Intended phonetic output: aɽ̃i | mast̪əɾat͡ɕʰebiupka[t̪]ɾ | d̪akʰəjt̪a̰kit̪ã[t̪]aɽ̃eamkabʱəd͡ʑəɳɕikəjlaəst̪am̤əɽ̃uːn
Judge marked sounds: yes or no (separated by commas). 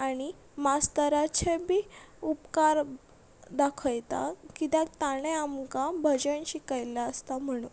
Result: no, yes